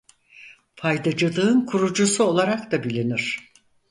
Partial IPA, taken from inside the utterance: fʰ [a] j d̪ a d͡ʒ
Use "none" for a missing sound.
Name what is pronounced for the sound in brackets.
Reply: a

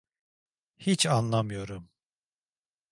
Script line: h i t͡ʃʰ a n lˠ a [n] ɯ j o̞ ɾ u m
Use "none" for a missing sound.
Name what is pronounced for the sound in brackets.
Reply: m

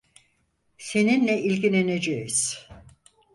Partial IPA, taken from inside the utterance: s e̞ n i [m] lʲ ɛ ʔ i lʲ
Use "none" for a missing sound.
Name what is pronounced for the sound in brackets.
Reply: n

